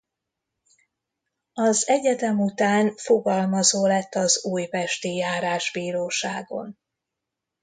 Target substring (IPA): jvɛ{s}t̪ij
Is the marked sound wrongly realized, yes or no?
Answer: yes